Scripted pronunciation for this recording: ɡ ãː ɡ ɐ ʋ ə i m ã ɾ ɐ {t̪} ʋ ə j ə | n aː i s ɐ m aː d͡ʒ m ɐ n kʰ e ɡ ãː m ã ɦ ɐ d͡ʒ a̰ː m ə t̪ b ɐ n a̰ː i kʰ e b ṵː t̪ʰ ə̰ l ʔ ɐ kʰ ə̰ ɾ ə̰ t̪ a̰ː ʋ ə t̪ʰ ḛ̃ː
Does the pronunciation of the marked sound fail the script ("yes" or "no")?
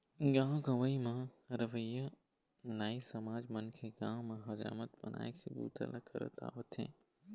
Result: yes